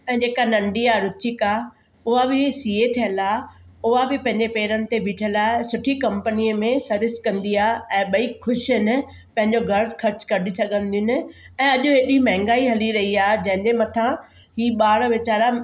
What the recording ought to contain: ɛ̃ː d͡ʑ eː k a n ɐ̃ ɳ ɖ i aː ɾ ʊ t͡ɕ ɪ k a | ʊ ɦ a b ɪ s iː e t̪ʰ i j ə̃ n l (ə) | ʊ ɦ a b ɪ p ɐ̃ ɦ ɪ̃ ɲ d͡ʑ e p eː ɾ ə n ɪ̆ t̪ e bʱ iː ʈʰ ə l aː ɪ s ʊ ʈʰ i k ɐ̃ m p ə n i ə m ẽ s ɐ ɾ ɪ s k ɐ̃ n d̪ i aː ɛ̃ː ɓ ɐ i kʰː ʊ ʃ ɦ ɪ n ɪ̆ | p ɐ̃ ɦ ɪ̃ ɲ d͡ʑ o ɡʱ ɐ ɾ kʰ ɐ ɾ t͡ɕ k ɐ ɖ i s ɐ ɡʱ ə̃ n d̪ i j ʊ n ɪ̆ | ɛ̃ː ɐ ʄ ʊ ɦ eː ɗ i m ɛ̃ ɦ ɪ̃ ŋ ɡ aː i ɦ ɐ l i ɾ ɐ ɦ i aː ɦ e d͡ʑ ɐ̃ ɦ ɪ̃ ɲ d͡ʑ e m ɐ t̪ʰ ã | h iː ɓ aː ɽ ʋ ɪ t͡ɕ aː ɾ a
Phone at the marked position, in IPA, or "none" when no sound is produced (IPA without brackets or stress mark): a